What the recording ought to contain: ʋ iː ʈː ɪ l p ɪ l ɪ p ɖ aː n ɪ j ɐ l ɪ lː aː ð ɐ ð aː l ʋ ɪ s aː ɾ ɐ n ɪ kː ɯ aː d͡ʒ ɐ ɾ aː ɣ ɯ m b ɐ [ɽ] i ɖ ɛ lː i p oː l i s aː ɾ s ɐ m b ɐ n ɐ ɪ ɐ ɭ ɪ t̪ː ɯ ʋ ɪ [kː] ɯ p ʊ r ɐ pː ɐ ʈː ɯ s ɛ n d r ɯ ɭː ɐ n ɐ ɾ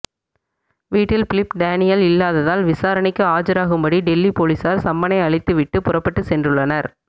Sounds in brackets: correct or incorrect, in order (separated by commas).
correct, incorrect